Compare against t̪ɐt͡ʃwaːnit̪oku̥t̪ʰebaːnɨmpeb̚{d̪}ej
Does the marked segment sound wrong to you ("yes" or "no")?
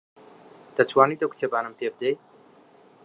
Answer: no